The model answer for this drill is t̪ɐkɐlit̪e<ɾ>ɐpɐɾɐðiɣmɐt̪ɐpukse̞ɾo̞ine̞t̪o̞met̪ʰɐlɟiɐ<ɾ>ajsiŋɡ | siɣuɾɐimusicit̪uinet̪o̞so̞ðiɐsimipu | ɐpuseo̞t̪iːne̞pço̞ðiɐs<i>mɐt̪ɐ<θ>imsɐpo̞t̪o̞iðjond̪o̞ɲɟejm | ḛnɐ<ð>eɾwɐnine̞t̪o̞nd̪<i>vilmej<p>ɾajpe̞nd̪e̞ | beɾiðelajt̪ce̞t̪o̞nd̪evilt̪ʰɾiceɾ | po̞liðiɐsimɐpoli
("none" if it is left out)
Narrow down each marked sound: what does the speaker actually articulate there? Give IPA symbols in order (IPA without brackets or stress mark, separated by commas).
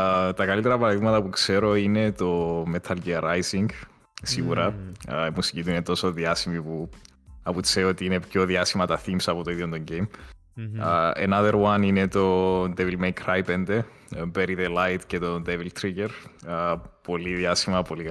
ɾ, ɾ, i, θ, ð, e, k